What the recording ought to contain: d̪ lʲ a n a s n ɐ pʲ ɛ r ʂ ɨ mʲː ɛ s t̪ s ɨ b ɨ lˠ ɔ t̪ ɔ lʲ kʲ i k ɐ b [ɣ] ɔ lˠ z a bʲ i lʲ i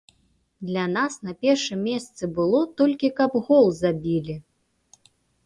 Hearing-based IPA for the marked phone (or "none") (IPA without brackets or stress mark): ɣ